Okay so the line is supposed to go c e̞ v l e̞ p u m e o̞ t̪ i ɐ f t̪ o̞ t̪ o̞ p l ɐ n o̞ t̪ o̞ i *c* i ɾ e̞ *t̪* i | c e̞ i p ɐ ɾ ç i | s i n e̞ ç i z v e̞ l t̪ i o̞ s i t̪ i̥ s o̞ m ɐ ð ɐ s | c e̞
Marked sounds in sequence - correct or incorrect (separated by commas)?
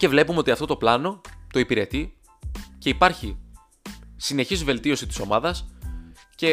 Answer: incorrect, correct